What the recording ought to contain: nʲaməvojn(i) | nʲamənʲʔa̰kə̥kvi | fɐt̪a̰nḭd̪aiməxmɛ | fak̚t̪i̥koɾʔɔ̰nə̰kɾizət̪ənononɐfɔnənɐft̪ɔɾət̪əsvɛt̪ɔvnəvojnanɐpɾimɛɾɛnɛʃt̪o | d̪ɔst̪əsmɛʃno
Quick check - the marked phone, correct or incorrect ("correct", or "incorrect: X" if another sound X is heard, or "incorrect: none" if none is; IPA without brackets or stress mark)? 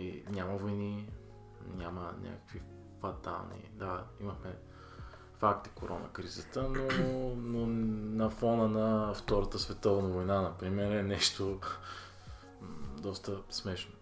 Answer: correct